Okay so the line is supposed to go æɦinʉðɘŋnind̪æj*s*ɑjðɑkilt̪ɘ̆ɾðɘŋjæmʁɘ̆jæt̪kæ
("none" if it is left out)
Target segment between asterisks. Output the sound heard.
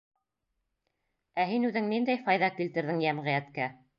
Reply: f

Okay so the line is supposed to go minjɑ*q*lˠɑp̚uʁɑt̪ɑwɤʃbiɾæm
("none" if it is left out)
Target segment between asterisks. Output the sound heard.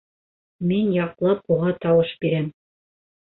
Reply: q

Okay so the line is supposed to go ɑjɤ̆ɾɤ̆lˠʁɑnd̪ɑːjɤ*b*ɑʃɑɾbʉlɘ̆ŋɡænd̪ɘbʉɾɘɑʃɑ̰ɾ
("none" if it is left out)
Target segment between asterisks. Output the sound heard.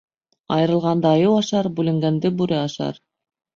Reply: w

